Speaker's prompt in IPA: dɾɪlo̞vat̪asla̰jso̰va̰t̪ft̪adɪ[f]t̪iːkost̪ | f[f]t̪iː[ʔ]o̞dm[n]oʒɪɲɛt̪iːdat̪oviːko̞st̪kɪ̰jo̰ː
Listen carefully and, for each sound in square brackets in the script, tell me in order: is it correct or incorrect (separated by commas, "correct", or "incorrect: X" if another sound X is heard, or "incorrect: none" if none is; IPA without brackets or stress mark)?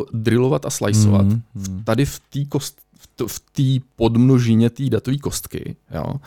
correct, correct, incorrect: p, correct